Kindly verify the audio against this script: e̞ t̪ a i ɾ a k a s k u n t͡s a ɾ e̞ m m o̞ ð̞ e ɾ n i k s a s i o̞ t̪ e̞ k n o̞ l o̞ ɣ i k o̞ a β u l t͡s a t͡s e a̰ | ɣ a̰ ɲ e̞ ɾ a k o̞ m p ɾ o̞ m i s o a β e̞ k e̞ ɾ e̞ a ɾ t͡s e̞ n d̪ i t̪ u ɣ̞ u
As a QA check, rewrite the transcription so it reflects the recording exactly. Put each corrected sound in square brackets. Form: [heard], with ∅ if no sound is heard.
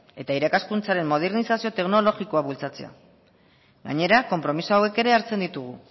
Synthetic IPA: e̞ t̪ a i ɾ a k a s k u n t͡s a ɾ e̞ m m o̞ ð̞ e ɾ n i [∅] s a s i o̞ t̪ e̞ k n o̞ l o̞ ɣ i k o̞ a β u l t͡s a t͡s e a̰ | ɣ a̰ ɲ e̞ ɾ a k o̞ m p ɾ o̞ m i s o a [w] e̞ k e̞ ɾ e̞ a ɾ t͡s e̞ n d̪ i t̪ u ɣ̞ u